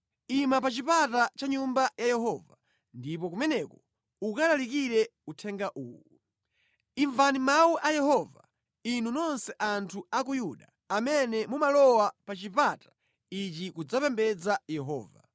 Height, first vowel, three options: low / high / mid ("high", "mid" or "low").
high